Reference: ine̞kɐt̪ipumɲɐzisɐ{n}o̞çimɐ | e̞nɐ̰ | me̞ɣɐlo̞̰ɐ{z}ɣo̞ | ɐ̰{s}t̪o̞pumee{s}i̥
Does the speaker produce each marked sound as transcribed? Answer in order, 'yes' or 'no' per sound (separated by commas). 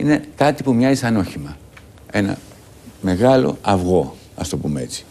yes, no, yes, no